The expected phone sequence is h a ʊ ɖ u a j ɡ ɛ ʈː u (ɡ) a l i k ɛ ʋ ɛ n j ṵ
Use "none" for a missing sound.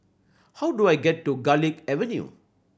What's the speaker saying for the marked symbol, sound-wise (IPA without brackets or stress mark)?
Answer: ɡ